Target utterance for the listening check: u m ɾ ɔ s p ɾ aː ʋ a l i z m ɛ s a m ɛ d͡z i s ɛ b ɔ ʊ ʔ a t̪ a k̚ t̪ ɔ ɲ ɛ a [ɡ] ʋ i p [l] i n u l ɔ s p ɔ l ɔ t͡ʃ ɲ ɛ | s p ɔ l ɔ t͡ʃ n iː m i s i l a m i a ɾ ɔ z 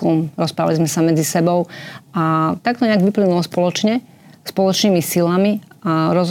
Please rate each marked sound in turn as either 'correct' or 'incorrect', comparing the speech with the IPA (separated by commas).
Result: correct, correct